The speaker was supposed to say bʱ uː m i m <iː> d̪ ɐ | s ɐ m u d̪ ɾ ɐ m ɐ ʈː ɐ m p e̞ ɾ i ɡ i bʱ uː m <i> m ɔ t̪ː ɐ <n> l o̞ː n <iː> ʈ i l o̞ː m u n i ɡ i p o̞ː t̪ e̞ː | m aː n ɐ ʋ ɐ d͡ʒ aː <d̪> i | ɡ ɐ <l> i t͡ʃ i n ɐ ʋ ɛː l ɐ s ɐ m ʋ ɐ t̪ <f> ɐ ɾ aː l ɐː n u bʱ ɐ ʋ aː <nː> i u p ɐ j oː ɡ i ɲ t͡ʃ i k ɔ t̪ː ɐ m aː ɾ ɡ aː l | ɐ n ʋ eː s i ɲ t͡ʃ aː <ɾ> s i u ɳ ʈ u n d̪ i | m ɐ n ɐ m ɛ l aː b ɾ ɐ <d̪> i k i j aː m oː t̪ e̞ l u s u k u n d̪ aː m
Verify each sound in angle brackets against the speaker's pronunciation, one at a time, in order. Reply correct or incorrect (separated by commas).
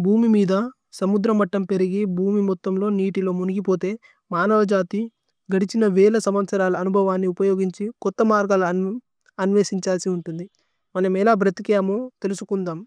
correct, correct, incorrect, correct, incorrect, incorrect, incorrect, correct, incorrect, incorrect